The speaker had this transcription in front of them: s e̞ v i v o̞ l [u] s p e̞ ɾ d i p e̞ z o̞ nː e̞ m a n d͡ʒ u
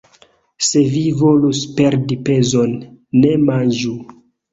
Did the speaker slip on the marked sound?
no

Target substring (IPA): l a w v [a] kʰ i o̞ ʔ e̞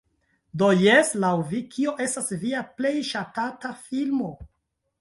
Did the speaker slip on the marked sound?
yes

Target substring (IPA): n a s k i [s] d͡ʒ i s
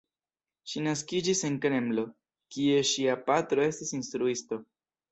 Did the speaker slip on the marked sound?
yes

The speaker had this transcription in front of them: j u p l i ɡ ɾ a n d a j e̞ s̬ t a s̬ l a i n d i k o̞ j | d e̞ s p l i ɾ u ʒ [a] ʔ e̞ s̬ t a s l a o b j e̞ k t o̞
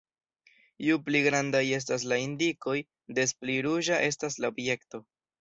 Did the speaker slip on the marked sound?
no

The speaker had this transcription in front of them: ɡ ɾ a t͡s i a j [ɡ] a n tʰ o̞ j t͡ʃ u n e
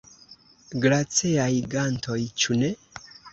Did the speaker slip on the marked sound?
no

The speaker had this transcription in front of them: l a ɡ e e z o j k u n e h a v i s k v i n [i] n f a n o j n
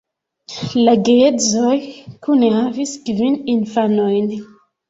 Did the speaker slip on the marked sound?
no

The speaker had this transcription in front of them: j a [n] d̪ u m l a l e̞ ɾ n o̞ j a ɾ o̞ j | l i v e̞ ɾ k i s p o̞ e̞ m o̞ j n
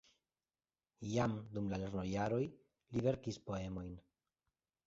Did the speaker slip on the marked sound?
yes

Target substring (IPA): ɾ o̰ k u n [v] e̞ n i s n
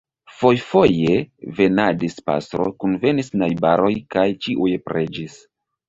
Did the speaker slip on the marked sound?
no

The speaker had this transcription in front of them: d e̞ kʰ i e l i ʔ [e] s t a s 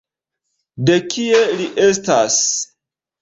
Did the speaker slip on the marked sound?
no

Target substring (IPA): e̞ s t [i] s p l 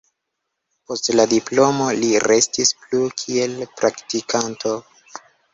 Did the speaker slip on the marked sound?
no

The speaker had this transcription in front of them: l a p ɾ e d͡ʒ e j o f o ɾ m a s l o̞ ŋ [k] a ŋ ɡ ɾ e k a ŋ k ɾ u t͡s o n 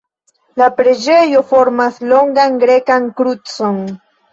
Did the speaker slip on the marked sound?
yes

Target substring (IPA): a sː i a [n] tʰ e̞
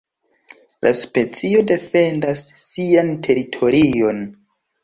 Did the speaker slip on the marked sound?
no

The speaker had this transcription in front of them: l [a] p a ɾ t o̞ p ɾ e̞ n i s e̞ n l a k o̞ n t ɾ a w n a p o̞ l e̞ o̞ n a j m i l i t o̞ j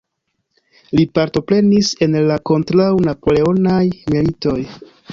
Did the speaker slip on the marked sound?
yes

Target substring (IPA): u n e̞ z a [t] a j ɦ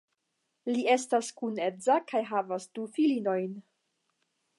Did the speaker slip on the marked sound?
yes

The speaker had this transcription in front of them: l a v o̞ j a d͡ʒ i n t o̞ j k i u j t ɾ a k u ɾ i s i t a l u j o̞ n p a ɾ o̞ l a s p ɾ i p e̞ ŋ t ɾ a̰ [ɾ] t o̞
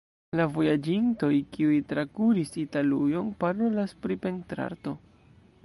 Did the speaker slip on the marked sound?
no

